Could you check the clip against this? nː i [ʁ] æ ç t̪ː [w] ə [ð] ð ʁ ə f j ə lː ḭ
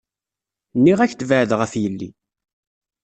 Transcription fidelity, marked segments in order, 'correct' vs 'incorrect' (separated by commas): correct, incorrect, incorrect